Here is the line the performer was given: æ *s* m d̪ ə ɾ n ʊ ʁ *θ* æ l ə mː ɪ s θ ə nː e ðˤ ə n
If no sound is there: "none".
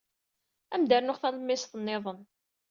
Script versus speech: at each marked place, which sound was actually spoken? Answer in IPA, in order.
none, θ

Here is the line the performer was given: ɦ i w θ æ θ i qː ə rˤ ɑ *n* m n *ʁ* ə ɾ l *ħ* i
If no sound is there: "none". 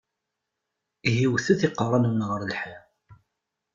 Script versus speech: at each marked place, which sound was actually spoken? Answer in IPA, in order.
n, ʁ, ħ

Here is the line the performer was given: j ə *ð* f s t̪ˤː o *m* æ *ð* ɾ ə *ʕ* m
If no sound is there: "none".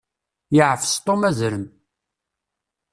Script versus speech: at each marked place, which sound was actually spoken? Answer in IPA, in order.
ʕ, m, z, none

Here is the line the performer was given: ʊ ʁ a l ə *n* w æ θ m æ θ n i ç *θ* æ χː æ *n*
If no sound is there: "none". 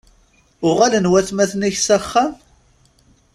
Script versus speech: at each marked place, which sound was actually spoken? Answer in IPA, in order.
n, s, m

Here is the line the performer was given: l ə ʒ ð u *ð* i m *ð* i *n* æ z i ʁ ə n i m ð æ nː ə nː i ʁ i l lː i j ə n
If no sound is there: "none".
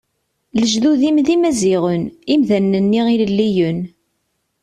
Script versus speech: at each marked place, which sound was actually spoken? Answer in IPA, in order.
ð, ð, m

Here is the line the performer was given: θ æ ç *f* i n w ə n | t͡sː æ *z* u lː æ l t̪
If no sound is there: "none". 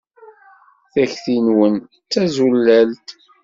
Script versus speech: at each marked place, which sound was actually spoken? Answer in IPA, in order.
θ, z

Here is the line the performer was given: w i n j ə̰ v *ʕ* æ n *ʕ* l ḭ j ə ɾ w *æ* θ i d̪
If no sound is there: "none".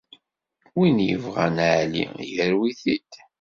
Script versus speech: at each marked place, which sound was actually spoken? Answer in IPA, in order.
ʁ, ʕ, i

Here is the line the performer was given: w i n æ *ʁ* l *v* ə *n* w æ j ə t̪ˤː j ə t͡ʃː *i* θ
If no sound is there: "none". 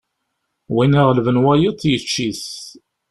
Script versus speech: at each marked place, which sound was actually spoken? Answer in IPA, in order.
ʁ, v, n, i

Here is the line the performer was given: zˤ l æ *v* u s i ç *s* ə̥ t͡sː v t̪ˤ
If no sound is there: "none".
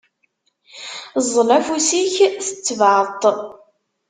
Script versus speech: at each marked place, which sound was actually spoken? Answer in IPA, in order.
f, θ

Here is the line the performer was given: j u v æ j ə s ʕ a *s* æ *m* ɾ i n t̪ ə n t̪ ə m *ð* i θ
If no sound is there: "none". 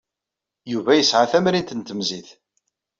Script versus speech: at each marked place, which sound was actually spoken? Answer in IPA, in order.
θ, m, z

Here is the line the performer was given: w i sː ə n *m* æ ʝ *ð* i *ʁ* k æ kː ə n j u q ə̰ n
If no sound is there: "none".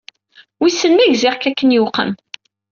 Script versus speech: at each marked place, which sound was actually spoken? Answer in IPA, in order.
m, z, ʁ

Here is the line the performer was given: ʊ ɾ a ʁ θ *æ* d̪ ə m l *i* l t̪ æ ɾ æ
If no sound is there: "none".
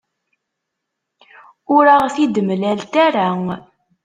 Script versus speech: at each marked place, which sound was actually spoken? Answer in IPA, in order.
i, æ

